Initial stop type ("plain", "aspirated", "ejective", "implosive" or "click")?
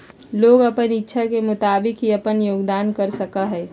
plain